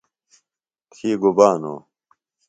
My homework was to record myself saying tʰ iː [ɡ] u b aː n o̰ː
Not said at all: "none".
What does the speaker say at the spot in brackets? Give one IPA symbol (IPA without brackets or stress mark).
ɡ